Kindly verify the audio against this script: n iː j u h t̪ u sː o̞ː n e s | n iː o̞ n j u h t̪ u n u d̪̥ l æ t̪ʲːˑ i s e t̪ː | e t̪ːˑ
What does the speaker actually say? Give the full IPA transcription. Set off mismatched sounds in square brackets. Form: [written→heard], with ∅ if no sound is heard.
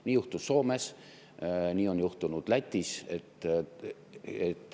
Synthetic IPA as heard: n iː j u h t̪ u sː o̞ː [n→m] e s | n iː o̞ n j u h t̪ u n u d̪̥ l æ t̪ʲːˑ i s e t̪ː | e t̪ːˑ